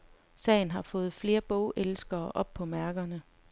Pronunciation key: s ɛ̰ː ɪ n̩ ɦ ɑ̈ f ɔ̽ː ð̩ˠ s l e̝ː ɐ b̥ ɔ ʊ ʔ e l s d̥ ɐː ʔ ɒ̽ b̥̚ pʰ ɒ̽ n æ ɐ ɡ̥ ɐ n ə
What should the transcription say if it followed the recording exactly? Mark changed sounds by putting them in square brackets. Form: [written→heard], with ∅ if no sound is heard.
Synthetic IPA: s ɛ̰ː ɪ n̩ ɦ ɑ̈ f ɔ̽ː ð̩ˠ [s→f] l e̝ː ɐ b̥ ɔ ʊ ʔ e l s [d̥→ɡ̥] ɐː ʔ ɒ̽ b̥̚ pʰ ɒ̽ [n→m] æ ɐ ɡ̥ ɐ n ə